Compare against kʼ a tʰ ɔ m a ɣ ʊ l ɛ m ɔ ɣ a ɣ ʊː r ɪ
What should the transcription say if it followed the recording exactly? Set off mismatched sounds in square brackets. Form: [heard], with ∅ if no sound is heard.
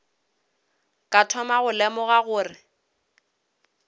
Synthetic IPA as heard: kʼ a tʰ ɔ m a ɣ ʊ l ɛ m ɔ ɣ a ɣ ʊː r ɪ